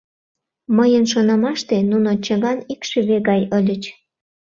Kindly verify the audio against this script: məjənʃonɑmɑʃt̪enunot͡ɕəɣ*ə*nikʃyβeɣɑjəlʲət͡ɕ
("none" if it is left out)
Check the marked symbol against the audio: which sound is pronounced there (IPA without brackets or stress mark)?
ɑ